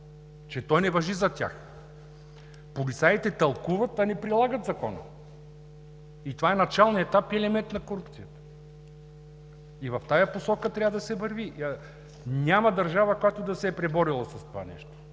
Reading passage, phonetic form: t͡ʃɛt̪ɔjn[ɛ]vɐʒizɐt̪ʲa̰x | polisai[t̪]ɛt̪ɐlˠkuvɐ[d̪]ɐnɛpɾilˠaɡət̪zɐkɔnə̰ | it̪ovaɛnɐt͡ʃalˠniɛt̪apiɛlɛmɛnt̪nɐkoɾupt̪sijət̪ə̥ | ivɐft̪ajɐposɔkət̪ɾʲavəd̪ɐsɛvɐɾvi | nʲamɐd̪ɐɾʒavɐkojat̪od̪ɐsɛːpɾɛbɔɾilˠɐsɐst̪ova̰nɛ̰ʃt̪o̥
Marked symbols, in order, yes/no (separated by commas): yes, yes, no